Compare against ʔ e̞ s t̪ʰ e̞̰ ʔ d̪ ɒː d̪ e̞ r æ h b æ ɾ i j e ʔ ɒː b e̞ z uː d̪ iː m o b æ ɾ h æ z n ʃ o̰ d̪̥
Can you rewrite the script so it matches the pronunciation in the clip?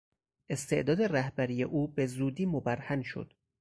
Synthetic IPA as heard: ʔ e̞ s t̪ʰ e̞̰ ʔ d̪ ɒː d̪ e̞ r æ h b æ ɾ i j e ʔ uː b e̞ z uː d̪ iː m o b æ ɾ h æ n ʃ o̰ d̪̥